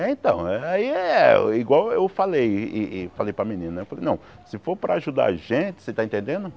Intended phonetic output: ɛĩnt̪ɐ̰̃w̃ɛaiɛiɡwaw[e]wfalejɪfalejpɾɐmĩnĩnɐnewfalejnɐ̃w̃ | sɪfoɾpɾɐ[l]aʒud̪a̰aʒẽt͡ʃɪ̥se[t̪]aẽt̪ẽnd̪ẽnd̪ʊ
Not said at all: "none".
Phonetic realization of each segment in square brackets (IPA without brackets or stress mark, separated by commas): e, none, t̪